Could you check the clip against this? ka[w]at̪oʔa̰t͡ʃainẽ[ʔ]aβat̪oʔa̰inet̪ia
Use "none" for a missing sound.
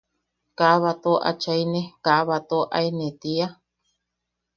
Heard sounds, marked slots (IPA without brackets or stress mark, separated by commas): β, k